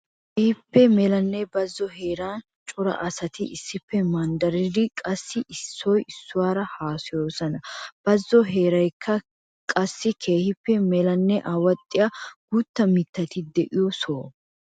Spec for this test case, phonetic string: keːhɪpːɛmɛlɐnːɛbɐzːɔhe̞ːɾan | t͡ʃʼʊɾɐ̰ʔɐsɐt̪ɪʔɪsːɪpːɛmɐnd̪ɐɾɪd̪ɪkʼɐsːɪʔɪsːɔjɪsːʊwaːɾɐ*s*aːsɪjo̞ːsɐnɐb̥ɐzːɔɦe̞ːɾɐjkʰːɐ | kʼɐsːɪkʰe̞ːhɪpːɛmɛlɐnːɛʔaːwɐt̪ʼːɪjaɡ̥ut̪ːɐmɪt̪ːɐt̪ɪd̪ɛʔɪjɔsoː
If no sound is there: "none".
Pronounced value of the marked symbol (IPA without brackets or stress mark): h